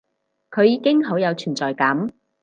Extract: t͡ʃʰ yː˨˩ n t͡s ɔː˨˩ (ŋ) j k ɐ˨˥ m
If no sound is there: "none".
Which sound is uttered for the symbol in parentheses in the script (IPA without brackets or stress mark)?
none